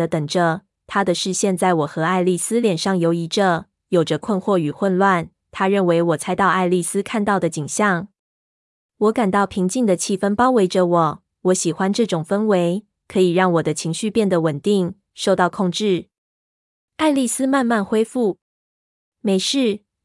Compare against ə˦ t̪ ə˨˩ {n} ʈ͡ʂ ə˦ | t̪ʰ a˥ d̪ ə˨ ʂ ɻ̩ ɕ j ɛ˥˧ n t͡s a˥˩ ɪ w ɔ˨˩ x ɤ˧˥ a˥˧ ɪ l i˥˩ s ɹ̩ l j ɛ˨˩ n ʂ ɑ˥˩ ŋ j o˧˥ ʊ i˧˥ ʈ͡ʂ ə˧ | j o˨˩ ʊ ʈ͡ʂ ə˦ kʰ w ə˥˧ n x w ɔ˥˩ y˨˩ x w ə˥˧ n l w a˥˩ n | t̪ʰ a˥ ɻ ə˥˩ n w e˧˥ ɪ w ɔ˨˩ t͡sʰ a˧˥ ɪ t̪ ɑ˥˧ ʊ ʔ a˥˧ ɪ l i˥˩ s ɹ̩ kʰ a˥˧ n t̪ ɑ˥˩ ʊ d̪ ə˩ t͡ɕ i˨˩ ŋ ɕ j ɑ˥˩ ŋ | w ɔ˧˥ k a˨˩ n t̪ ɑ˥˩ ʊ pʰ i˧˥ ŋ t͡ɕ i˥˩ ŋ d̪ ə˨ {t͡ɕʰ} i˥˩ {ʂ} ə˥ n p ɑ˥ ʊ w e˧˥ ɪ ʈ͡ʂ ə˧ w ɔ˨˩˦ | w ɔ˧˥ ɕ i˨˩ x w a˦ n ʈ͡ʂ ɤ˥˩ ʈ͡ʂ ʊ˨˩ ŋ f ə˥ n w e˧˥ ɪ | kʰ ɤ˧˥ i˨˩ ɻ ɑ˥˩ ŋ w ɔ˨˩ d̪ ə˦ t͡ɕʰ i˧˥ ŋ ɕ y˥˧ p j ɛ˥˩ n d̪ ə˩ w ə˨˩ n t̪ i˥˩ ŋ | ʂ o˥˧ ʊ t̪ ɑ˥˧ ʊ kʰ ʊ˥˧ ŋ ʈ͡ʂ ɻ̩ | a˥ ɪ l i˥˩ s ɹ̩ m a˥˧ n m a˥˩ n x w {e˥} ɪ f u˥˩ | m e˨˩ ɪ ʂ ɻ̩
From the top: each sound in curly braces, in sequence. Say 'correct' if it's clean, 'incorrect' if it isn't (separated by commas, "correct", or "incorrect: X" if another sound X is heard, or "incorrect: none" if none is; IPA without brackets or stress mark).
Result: incorrect: ŋ, correct, incorrect: f, correct